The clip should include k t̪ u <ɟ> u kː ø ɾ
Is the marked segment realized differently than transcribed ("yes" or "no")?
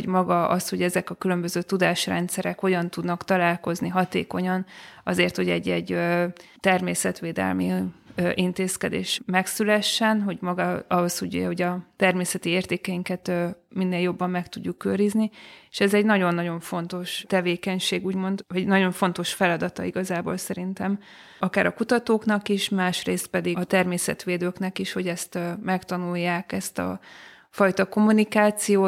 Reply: yes